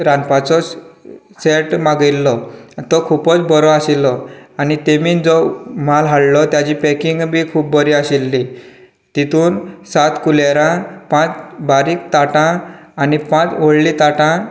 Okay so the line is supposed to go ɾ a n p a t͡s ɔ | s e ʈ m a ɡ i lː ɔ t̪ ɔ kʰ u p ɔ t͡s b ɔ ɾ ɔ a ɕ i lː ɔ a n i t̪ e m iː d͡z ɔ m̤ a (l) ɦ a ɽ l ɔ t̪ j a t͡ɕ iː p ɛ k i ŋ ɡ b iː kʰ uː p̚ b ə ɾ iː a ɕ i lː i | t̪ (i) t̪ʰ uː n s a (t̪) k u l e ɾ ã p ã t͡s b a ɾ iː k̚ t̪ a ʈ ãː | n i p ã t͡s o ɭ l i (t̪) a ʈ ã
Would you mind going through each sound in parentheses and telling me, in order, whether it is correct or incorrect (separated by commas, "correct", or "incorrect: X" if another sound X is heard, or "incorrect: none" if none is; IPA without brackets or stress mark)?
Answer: correct, correct, correct, correct